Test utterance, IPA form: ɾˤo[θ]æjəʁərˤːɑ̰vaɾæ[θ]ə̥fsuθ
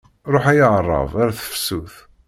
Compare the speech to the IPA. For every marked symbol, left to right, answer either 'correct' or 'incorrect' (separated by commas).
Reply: incorrect, correct